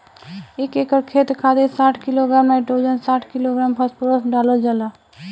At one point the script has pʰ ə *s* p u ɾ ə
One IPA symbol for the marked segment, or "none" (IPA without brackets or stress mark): s